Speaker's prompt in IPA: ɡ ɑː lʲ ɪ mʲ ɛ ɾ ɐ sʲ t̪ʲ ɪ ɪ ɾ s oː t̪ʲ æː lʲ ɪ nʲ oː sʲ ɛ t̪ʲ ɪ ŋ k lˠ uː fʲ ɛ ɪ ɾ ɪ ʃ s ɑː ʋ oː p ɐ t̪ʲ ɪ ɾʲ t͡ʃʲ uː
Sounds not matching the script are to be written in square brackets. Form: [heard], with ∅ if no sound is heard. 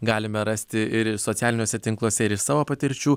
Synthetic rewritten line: ɡ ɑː lʲ ɪ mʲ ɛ ɾ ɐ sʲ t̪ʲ ɪ ɪ ɾ s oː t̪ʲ æː lʲ ɪ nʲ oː sʲ ɛ t̪ʲ ɪ ŋ k lˠ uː [sʲ] ɛ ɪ ɾ ɪ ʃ s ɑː ʋ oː p ɐ t̪ʲ ɪ ɾʲ t͡ʃʲ uː